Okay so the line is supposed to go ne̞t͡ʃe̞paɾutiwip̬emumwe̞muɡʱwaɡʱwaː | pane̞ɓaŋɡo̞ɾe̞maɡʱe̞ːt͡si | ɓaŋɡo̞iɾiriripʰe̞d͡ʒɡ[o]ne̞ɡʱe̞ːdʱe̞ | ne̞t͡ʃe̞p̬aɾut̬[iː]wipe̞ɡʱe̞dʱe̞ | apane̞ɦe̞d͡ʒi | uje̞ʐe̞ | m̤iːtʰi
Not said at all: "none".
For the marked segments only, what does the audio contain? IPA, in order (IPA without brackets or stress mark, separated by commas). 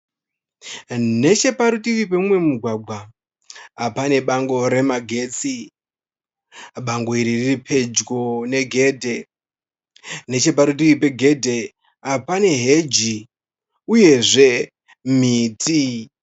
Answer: o, i